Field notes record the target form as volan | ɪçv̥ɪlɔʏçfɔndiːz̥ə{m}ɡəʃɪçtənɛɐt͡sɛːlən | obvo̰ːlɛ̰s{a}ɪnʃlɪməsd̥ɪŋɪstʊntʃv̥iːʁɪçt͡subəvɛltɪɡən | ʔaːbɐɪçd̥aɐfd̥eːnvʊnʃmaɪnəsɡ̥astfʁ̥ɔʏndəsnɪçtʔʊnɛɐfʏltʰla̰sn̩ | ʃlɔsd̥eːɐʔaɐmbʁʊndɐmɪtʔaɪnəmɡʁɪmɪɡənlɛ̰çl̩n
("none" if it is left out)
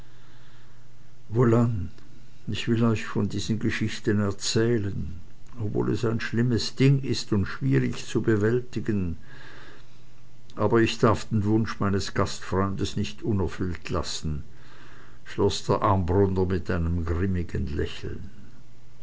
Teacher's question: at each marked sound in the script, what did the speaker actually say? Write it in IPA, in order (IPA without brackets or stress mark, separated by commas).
n, a